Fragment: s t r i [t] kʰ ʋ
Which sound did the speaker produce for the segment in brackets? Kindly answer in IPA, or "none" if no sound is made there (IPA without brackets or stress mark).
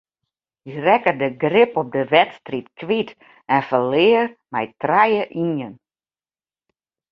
t